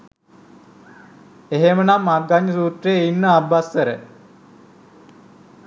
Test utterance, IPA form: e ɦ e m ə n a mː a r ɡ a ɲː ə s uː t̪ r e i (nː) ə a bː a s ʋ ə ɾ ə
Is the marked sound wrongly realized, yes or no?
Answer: no